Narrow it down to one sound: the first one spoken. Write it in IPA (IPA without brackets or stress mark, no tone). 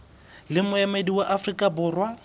l